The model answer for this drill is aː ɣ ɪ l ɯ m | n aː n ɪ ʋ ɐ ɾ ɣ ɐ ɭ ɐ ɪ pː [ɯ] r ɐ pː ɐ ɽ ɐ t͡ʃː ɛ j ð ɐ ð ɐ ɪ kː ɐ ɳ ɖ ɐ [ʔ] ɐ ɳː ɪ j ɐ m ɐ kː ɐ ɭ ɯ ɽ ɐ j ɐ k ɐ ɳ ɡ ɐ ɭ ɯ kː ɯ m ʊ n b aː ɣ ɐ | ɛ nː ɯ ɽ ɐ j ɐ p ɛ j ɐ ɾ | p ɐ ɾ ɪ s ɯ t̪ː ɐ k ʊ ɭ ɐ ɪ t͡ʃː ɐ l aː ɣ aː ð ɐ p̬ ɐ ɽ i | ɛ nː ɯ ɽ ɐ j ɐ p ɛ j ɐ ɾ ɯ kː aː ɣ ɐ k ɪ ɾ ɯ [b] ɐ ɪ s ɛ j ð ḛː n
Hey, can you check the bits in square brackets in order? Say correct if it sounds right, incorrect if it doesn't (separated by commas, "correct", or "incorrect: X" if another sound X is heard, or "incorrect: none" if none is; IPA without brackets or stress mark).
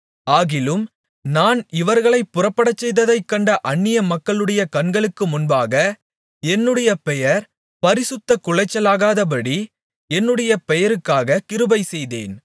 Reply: incorrect: ʊ, correct, correct